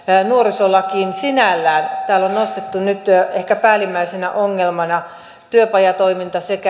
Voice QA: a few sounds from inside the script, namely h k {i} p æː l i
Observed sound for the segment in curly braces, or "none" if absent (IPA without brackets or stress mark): æ